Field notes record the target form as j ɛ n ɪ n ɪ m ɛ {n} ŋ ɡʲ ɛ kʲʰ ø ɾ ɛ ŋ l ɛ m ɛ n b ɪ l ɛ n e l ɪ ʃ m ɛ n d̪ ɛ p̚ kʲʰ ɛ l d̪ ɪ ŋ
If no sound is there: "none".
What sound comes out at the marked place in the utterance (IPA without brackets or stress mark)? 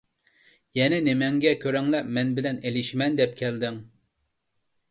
none